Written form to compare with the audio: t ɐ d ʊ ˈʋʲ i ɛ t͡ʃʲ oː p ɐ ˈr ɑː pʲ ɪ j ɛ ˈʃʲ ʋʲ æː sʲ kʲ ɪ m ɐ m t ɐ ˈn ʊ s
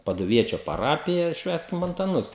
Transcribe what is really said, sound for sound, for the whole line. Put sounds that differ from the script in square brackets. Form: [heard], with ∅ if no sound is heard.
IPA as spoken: [p] ɐ d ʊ ˈʋʲ i ɛ t͡ʃʲ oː p ɐ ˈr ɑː pʲ ɪ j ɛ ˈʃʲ ʋʲ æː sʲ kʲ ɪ m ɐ [n] t ɐ ˈn ʊ s